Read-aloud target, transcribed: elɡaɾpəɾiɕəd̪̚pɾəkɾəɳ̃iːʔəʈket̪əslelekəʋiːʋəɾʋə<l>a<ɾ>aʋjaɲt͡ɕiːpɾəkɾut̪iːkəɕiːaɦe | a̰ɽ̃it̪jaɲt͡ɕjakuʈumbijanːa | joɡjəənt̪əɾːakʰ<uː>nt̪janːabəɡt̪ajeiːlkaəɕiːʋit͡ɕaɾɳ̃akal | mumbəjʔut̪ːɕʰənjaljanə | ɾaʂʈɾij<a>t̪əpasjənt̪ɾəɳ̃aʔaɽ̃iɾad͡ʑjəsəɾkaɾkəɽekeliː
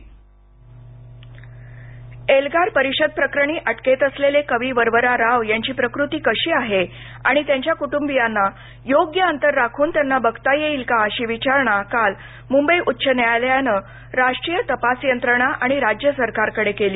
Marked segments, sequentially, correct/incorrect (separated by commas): incorrect, correct, correct, incorrect